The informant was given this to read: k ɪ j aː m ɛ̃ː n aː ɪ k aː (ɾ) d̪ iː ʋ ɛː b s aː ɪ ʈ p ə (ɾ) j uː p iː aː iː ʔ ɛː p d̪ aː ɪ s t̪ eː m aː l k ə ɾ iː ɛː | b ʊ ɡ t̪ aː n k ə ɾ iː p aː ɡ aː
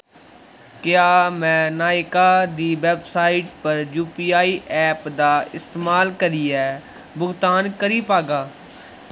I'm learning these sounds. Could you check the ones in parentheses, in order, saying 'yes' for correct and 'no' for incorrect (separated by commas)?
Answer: no, yes